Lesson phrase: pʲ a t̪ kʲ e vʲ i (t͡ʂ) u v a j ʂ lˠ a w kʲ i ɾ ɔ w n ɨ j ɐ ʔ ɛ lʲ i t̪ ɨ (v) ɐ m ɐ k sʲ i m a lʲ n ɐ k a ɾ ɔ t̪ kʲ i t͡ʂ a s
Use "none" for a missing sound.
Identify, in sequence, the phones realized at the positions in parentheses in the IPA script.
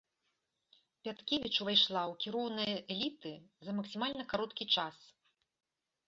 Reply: t͡ʂ, z

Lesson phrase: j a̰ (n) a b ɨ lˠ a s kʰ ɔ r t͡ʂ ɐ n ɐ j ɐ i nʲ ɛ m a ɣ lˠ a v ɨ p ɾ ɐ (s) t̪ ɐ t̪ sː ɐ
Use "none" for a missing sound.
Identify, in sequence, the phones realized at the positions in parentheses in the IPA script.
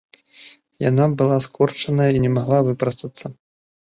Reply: n, s

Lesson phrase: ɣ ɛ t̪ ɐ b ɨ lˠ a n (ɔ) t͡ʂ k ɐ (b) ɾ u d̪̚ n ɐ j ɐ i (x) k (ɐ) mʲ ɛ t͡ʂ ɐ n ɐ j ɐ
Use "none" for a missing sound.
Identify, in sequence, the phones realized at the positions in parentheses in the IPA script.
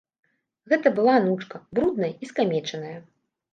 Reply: u, b, s, a

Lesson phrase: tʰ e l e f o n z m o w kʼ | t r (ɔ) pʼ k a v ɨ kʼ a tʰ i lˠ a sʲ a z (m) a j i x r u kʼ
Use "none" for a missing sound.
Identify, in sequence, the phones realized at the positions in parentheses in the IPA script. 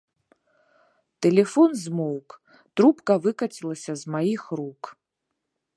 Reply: u, m

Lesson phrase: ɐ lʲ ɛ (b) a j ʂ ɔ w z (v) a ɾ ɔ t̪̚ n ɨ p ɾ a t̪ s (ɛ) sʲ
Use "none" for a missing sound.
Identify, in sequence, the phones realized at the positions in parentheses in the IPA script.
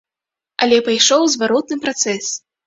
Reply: p, v, ɛ

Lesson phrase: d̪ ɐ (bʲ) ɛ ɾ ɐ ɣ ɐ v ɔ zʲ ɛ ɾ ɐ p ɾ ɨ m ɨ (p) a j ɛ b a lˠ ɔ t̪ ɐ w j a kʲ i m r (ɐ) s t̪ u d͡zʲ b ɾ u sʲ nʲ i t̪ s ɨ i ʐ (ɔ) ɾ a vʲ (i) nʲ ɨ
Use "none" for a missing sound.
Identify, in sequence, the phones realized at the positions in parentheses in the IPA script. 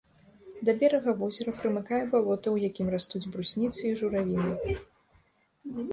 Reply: bʲ, k, a, u, i

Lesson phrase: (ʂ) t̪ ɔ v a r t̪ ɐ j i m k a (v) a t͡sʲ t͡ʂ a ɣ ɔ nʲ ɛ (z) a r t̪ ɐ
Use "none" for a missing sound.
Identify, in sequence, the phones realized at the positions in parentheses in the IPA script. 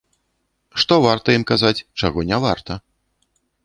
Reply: ʂ, z, v

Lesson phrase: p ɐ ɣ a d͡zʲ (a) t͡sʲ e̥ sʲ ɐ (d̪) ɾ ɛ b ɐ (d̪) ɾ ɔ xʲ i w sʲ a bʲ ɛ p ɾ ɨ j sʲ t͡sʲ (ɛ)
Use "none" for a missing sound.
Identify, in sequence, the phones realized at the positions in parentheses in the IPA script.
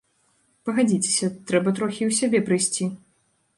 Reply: i, t̪, t̪, i

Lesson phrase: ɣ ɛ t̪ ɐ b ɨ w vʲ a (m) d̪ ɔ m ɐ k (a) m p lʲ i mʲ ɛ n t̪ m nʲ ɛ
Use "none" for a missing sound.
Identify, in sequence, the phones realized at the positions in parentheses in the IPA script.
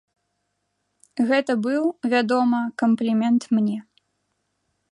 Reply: none, ɐ

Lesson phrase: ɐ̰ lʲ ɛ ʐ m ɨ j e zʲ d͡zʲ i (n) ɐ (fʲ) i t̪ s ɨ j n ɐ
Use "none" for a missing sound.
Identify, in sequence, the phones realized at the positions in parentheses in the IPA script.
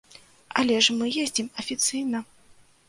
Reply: m, fʲ

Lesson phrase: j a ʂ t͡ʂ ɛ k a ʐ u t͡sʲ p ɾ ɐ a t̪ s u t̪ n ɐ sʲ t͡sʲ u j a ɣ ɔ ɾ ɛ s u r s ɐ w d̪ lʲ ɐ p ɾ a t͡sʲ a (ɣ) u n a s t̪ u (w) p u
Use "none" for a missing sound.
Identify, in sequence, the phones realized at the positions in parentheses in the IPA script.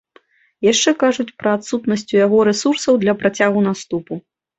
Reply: ɣ, none

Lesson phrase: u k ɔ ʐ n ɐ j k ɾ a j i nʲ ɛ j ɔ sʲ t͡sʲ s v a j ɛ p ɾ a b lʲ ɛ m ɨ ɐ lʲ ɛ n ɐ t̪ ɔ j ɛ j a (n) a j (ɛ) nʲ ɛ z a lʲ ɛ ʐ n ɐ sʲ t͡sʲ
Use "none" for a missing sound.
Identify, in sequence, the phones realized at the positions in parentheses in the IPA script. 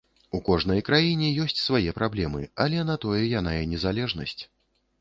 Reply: n, ɛ

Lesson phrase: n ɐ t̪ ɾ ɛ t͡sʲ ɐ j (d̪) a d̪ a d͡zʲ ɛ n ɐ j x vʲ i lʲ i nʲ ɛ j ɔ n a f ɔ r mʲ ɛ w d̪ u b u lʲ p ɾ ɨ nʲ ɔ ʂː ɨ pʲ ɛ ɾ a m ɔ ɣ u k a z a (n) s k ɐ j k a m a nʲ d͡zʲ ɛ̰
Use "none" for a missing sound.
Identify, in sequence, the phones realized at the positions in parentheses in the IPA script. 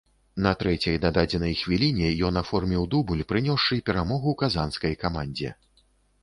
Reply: d̪, n

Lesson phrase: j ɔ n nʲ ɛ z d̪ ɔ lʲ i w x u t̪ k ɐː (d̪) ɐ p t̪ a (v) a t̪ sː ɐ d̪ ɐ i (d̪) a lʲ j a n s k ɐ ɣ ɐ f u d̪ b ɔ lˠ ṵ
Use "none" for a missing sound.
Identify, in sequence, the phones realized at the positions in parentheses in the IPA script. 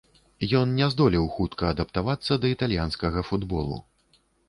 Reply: d̪, v, t̪

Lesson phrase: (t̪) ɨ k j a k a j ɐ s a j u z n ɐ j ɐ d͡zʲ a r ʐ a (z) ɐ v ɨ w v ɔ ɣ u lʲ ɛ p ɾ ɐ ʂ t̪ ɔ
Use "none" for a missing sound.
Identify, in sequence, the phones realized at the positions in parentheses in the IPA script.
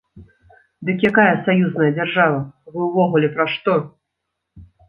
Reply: d̪, v

